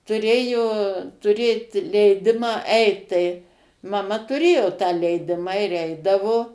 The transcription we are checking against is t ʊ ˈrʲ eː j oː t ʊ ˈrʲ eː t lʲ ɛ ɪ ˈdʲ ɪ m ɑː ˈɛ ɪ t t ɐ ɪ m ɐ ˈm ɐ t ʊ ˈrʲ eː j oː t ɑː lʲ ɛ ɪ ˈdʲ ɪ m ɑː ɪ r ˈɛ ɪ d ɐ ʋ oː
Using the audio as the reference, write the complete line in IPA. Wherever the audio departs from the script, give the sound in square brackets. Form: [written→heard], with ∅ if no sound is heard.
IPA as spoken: t ʊ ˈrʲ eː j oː t ʊ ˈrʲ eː t lʲ ɛ ɪ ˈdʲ ɪ m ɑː ˈɛ ɪ t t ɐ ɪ m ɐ ˈm ɐ t ʊ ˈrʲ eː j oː t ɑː lʲ ɛ ɪ ˈdʲ ɪ m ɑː ɪ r ˈɛ ɪ d ɐ ʋ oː